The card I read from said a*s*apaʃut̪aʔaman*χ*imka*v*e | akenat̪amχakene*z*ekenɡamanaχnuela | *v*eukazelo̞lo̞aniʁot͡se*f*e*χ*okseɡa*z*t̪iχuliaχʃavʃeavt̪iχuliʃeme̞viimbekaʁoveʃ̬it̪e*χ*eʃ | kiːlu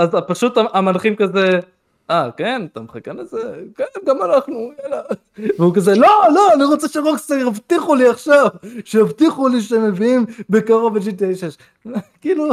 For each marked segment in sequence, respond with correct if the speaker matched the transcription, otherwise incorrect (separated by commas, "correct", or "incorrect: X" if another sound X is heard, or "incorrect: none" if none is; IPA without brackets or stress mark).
incorrect: z, correct, incorrect: z, correct, correct, incorrect: ʃ, incorrect: ʁ, incorrect: v, incorrect: ʃ